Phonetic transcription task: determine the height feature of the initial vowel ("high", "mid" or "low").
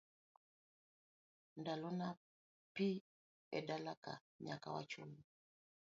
low